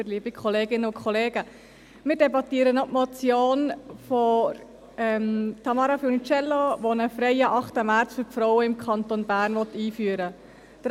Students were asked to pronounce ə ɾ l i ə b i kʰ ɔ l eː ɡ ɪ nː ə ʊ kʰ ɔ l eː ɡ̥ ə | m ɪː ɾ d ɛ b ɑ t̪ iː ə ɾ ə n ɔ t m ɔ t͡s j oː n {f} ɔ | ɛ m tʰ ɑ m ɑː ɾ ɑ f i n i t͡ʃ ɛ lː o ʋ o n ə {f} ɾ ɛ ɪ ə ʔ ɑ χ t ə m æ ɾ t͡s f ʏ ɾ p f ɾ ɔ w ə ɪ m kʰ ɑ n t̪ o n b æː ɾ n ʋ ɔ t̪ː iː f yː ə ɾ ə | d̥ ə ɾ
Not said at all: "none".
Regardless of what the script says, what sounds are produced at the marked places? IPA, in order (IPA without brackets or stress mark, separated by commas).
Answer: f, f